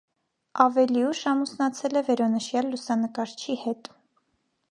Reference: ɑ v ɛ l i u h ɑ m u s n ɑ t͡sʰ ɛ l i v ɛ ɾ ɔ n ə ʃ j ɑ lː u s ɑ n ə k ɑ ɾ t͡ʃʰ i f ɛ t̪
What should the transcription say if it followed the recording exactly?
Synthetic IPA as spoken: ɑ v ɛ l i u ʃ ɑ m u s n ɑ t͡sʰ ɛ l ɛ v ɛ ɾ ɔ n ə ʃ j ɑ lː u s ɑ n ə k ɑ ɾ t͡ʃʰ i h ɛ t̪